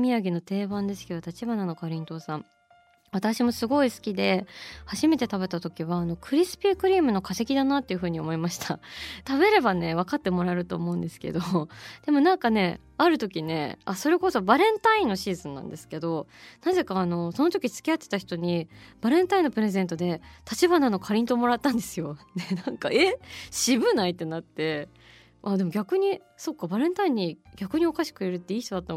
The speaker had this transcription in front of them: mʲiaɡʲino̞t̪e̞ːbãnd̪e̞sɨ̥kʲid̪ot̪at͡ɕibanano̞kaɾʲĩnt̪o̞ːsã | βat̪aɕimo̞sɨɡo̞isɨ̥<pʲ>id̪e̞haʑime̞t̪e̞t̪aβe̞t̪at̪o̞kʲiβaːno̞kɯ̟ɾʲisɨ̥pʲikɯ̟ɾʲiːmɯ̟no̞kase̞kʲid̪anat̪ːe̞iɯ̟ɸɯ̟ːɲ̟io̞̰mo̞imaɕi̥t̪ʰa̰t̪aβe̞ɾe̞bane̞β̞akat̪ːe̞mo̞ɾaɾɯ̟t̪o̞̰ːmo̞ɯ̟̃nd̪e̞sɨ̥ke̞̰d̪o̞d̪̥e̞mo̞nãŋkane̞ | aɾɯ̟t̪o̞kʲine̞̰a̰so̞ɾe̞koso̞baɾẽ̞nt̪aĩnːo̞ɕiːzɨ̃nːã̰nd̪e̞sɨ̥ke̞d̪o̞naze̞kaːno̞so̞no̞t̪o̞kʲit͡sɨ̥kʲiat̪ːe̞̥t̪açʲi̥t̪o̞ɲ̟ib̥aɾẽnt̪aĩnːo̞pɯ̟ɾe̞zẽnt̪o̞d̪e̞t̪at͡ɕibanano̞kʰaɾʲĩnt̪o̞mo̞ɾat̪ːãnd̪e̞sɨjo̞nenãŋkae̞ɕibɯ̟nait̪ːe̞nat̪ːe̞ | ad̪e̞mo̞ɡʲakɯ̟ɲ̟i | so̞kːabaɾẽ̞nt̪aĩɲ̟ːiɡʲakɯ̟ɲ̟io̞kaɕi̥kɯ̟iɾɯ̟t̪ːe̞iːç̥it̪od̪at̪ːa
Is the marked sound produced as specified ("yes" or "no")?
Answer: no